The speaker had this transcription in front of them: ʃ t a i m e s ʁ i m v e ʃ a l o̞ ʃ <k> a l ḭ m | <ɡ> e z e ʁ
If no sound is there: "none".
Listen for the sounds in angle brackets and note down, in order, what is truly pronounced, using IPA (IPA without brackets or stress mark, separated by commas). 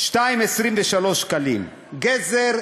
k, ɡ